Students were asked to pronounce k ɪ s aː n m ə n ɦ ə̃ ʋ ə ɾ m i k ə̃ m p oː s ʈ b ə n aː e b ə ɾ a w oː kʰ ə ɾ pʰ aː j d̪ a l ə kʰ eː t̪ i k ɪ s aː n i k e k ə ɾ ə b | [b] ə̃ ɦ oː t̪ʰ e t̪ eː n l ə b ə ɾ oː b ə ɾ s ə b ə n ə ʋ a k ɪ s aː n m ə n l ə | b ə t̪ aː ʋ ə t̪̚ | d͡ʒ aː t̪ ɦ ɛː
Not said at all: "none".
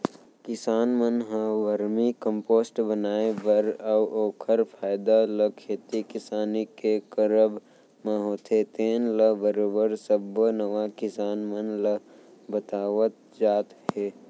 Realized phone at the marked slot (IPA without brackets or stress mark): m